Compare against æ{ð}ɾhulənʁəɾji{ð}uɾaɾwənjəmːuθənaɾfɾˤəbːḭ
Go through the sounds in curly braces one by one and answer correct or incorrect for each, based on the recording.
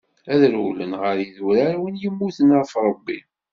correct, correct

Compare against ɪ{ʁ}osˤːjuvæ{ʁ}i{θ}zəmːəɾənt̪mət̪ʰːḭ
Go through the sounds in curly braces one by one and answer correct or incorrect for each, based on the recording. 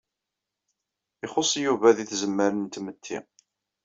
incorrect, incorrect, correct

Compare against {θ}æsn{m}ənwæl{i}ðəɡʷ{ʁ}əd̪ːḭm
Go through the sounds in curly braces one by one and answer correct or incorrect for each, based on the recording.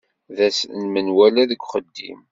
incorrect, correct, incorrect, incorrect

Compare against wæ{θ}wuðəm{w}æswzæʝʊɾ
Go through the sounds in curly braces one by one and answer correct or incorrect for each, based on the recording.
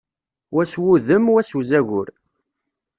incorrect, correct

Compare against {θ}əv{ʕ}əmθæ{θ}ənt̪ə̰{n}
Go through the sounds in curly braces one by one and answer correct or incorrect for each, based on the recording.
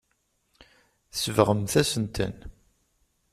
incorrect, incorrect, incorrect, correct

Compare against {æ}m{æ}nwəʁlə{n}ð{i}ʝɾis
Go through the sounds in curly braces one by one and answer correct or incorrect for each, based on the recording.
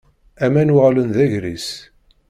correct, correct, correct, incorrect

